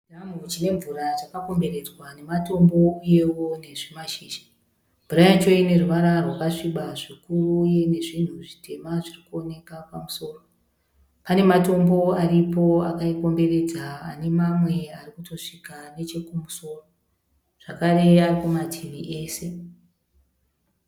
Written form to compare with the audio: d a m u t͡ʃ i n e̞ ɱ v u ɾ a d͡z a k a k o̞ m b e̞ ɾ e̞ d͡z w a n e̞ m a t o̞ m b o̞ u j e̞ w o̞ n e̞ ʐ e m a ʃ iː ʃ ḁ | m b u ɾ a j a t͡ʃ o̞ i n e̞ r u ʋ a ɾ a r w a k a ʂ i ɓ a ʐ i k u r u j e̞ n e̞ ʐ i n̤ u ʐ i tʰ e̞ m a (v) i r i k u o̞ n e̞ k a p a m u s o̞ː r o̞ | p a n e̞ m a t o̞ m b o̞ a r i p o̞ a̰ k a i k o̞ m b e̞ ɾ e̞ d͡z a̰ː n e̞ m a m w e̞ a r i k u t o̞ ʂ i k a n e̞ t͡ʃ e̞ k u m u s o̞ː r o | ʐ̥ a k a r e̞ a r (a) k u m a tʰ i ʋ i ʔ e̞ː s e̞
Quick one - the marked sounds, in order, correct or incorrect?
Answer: incorrect: ʐ, incorrect: i

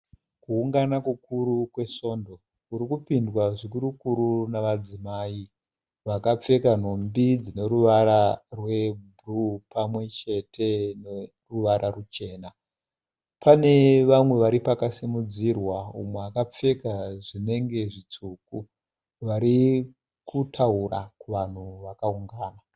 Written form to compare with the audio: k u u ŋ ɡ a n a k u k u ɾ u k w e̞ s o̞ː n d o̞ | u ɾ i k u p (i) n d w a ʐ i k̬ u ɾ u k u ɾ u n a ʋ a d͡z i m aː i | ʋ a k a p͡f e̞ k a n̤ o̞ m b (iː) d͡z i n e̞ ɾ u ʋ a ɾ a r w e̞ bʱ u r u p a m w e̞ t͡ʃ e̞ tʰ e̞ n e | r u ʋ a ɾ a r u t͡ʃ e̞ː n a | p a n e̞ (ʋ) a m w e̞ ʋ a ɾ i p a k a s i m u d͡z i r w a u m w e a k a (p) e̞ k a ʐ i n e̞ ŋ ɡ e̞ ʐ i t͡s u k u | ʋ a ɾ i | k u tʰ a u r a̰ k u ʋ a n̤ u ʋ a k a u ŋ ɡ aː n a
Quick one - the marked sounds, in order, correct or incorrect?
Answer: correct, incorrect: i, correct, incorrect: p͡f

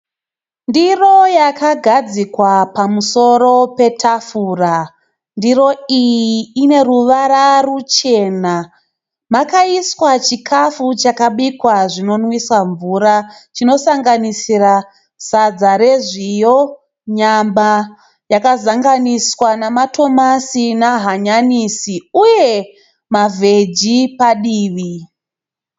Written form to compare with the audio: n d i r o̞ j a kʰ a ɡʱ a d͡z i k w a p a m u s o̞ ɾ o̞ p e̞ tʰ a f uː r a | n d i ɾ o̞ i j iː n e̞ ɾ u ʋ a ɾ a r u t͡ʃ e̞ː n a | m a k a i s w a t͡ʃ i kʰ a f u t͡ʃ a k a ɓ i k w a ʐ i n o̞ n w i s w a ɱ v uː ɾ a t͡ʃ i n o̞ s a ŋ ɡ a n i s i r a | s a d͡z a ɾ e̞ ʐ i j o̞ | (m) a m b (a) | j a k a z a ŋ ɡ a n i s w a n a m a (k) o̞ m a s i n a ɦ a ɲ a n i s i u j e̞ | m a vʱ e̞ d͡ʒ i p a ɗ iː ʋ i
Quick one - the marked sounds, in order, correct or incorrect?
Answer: incorrect: ɲ, correct, incorrect: t

